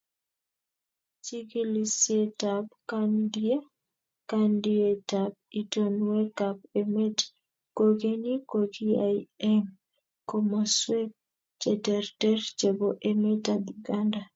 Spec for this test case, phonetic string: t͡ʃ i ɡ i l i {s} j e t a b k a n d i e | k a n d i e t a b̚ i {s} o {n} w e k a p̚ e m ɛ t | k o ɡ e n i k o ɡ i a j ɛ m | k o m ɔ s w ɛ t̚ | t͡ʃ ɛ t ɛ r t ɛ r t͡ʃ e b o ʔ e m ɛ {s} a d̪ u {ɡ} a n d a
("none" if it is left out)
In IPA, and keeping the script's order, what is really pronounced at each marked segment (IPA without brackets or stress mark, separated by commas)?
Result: s, t, n, t, ɡ